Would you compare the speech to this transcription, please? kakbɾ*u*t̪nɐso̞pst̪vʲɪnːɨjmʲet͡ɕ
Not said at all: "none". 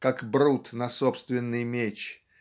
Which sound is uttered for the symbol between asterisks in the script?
u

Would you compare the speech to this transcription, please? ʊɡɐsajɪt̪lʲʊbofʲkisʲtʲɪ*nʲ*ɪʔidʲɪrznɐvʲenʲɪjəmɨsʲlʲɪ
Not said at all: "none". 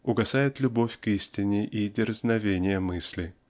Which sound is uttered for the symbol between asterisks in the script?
nʲ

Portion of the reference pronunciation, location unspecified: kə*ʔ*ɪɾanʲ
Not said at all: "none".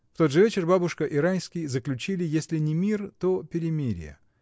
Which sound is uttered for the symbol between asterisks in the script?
ʔ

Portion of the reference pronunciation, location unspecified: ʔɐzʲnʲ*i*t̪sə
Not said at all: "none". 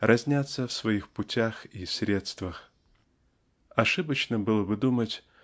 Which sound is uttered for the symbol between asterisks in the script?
a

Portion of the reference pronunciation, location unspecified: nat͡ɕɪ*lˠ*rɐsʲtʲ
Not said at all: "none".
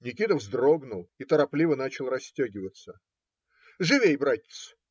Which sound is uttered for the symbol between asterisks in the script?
lˠ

